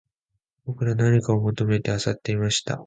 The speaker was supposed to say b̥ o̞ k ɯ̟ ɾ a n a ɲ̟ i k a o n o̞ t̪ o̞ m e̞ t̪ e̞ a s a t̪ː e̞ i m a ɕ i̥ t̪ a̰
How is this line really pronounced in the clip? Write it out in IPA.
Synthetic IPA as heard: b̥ o̞ k ɯ̟ ɾ a n a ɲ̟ i k a o m o̞ t̪ o̞ m e̞ t̪ e̞ a s a t̪ː e̞ i m a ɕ i̥ t̪ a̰